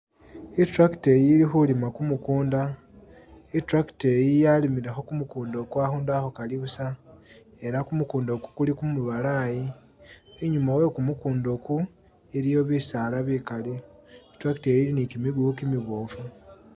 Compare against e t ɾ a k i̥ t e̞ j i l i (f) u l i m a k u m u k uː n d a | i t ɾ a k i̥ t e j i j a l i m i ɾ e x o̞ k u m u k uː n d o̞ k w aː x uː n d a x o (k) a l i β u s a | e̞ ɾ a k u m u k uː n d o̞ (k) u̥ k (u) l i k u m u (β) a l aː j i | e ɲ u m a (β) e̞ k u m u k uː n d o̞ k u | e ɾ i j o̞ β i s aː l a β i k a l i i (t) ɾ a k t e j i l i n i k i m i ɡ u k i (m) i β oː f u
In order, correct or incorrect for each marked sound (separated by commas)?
incorrect, correct, correct, correct, correct, incorrect, correct, correct